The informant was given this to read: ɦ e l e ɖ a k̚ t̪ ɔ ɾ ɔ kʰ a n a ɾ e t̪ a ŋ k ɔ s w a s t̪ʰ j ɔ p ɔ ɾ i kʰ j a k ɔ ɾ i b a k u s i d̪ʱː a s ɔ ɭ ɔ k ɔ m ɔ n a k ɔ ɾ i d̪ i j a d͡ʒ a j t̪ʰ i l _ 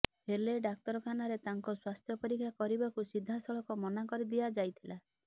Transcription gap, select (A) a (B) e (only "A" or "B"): A